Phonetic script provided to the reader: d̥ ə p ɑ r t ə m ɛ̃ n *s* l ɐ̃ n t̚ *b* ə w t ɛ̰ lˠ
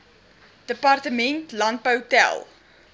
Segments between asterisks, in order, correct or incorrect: incorrect: t, incorrect: p

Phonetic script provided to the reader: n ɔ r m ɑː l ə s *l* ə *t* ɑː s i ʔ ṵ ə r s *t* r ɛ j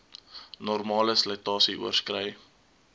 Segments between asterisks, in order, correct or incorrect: correct, correct, incorrect: k

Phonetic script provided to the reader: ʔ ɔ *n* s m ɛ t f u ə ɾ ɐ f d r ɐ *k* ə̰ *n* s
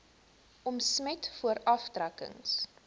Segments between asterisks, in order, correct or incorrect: incorrect: m, correct, incorrect: ŋ

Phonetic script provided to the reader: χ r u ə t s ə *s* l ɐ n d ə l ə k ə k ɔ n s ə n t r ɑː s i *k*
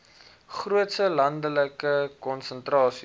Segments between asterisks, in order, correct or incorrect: incorrect: none, incorrect: none

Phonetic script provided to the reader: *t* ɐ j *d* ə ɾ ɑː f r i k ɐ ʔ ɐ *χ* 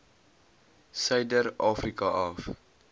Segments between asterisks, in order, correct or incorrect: incorrect: s, correct, incorrect: f

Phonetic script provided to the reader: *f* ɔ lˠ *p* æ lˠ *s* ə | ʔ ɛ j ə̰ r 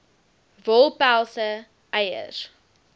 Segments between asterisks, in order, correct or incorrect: incorrect: v, correct, correct

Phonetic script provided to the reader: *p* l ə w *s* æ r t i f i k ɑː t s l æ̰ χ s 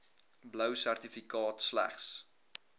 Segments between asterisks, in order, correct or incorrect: incorrect: b, correct

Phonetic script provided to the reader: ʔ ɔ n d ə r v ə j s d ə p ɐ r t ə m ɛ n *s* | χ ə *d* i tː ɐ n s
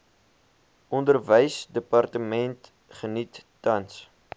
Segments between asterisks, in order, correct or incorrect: incorrect: t, incorrect: n

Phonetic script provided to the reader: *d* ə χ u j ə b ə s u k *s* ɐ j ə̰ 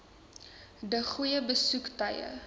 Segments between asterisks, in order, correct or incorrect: correct, incorrect: t

